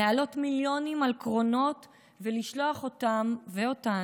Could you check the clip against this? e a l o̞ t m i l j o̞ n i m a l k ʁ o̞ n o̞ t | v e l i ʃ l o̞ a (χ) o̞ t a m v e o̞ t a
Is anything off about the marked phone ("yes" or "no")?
no